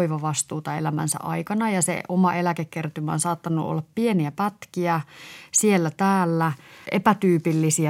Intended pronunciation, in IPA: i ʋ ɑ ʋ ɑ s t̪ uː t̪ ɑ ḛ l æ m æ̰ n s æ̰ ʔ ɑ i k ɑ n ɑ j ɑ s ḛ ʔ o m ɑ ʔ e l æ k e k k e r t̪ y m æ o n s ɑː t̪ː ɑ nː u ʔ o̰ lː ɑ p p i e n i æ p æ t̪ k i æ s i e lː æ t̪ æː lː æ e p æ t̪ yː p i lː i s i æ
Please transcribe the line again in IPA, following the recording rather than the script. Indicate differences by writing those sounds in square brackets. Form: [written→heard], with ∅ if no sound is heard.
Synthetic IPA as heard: i ʋ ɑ ʋ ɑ s t̪ uː t̪ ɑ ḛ l æ m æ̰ n s æ̰ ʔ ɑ i k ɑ n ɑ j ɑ s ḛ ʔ o m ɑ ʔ e l æ k e k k e r t̪ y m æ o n s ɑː t̪ː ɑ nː u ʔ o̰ lː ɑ p p i e n i æ p æ t̪ k i æ s i e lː æ t̪ æː lː æ e p æ t̪ yː p i lː i s i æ